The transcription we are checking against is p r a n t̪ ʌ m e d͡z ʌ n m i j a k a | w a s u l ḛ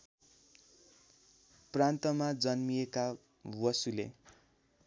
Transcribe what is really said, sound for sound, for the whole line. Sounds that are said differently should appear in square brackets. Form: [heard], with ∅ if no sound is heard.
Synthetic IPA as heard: p r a n t̪ ʌ m [a] d͡z ʌ n m i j [e] k a | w [ʌ] s u l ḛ